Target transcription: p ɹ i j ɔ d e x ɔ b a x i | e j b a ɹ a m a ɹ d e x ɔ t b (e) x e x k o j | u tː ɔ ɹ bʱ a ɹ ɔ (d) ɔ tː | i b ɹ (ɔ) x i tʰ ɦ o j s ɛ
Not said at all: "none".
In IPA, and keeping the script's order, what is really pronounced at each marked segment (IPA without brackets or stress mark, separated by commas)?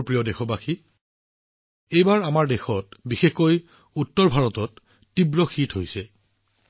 i, t, ɔ